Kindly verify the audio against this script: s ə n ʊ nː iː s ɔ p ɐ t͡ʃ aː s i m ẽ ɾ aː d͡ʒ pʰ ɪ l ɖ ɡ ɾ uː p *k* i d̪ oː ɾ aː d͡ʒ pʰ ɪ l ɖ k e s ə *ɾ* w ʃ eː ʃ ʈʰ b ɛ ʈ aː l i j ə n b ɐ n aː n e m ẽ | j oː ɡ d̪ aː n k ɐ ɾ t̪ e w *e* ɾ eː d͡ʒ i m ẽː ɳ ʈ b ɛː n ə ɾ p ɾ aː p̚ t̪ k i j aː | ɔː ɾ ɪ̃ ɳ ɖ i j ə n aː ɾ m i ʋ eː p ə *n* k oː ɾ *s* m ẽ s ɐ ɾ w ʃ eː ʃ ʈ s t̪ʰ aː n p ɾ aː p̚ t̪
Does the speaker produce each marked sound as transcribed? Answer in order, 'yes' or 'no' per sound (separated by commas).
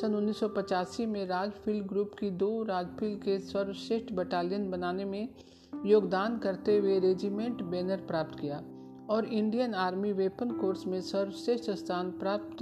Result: yes, yes, yes, yes, yes